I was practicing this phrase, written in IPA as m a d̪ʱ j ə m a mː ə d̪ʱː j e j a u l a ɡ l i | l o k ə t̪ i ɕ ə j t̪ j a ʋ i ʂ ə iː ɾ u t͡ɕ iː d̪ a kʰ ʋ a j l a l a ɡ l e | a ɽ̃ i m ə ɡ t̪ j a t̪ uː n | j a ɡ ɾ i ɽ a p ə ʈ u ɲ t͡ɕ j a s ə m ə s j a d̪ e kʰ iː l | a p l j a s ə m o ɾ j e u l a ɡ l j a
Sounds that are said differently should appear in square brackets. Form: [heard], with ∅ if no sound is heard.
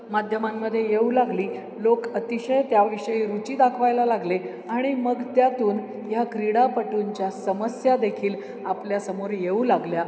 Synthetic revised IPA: m a d̪ʱ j ə m a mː ə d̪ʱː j e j [e] u l a ɡ l [iː] | l o k ə t̪ i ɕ ə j t̪ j a ʋ i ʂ ə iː ɾ u t͡ɕ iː d̪ a kʰ ʋ a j l a l a ɡ l e | a ɽ̃ i m ə ɡ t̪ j a t̪ uː n | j a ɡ ɾ i ɽ a p ə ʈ u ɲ t͡ɕ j a s ə m ə s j a d̪ e kʰ iː l | a p l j a s ə m o ɾ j e u l a ɡ l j a

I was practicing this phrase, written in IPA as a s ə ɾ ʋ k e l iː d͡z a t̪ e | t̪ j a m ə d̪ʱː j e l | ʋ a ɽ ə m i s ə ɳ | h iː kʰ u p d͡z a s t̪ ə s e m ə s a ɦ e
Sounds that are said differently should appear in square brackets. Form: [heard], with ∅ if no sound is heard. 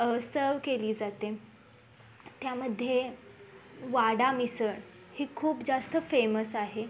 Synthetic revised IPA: [ə] s ə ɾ ʋ k e l iː d͡z a t̪ e | t̪ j a m ə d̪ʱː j e [∅] | ʋ a ɽ [a] m i s ə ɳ | h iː kʰ [uː] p d͡z a s t̪ ə [f] e m ə s a ɦ e

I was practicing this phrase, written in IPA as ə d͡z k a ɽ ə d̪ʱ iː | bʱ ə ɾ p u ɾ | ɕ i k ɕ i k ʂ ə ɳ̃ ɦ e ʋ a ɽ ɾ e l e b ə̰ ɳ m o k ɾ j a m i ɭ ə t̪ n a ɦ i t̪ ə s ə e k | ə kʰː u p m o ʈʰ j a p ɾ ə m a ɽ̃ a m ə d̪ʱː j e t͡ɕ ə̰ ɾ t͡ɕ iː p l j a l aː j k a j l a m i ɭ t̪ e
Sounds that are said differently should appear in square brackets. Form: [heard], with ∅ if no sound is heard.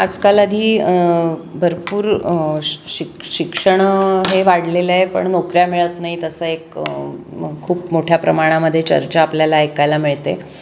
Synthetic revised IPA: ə d͡z k a [l] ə d̪ʱ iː | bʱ ə ɾ p [uː] ɾ | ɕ i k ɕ i k ʂ ə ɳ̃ ɦ e ʋ a ɽ [l] e l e [p] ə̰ ɳ [n] o k ɾ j a m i ɭ ə t̪ n a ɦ i t̪ ə s ə e k | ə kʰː [uː] p m o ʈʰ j a p ɾ ə m a ɽ̃ a m ə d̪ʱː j e t͡ɕ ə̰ ɾ t͡ɕ [aː] p l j a l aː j k a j l a m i ɭ t̪ e

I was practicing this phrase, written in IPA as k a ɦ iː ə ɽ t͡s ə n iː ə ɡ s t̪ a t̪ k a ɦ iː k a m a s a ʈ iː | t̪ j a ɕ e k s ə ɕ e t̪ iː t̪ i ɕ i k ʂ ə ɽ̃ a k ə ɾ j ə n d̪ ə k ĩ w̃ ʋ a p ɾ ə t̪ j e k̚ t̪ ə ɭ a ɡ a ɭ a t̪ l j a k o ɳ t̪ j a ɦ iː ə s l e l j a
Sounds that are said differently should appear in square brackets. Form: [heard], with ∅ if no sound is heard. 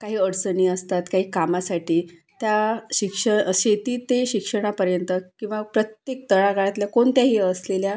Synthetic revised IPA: k a ɦ iː ə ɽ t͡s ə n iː ə [∅] s t̪ a t̪ k a ɦ iː k a m a s a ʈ iː | t̪ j a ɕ [i] k [ʂ] ə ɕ e t̪ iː t̪ [e] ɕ i k ʂ ə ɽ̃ a [p] ə ɾ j ə n [t̪] ə k ĩ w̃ ʋ a p ɾ ə t̪ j e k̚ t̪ ə ɭ a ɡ a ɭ a t̪ l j a k o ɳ t̪ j a ɦ iː ə s l e l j a

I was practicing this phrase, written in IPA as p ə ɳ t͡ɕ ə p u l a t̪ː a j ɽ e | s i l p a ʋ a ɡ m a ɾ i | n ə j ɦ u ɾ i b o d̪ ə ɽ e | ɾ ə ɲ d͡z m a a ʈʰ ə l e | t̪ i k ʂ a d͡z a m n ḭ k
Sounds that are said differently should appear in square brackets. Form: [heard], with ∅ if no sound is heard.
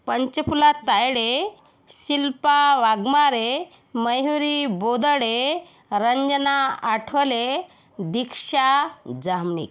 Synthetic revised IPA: p ə [ɲ] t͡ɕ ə p u l a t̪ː a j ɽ e | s i l p a ʋ a ɡ m a ɾ [e] | [m] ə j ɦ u ɾ i b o d̪ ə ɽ e | ɾ ə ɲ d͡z [n] a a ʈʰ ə l e | [d̪] i k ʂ a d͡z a m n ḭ k

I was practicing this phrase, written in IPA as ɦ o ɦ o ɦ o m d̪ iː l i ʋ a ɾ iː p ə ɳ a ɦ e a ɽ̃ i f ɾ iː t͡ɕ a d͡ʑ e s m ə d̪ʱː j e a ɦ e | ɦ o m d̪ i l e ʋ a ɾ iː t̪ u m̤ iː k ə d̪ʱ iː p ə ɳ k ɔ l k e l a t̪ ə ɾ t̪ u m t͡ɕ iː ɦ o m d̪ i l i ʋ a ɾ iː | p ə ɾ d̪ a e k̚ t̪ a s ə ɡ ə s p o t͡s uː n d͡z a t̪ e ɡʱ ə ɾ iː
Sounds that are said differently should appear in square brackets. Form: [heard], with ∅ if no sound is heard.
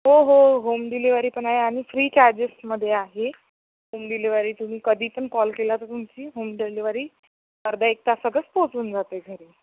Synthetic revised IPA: ɦ o ɦ o ɦ o m d̪ [i] l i ʋ a ɾ iː p ə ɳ a ɦ e a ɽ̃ i f ɾ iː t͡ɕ a d͡ʑ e s m ə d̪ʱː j e a ɦ e | ɦ o m d̪ i l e ʋ a ɾ iː t̪ u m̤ iː k ə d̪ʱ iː p ə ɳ k ɔ l k e l a t̪ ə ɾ t̪ u m t͡ɕ iː ɦ o m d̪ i l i ʋ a ɾ iː | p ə ɾ d̪ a e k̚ t̪ a s ə ɡ ə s p o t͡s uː n d͡z a t̪ e ɡʱ ə ɾ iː

